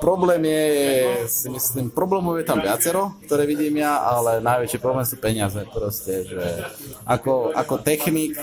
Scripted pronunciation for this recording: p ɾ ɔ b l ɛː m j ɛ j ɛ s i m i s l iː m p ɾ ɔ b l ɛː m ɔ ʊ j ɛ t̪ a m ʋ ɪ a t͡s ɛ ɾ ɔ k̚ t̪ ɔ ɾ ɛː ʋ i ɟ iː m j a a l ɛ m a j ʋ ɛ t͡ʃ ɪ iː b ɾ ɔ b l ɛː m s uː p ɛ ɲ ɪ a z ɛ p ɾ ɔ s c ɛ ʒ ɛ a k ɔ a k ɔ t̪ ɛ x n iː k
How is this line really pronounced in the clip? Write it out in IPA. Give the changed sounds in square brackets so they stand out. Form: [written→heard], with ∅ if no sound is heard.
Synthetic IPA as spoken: p ɾ ɔ b l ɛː m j ɛ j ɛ s i m i s l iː m p ɾ ɔ b l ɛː m ɔ ʊ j ɛ t̪ a m ʋ ɪ a t͡s ɛ ɾ ɔ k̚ t̪ ɔ ɾ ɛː ʋ i ɟ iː m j a a l ɛ [m→n] a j ʋ ɛ t͡ʃ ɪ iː [b→p] ɾ ɔ b l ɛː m s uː p ɛ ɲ ɪ a z ɛ p ɾ ɔ s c ɛ ʒ ɛ a k ɔ a k ɔ t̪ ɛ x n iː k